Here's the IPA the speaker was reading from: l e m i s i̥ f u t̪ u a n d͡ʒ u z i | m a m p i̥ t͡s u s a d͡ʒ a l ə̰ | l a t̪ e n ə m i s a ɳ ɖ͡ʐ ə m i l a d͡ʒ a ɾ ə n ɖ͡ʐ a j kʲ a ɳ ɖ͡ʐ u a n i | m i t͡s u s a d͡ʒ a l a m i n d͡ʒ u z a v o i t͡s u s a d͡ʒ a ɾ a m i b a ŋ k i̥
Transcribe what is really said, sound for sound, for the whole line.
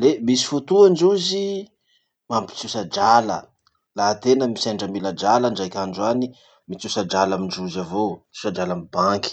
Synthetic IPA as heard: l e m i s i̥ f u t̪ u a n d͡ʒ u z i | m a m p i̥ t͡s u s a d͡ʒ a l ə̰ | l a t̪ e n ə m i s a ɳ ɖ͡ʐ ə m i l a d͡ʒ a l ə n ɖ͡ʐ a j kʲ a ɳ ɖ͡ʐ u a n i | m i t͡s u s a d͡ʒ a l a m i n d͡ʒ u z a v o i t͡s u s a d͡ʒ a l a m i b a ŋ k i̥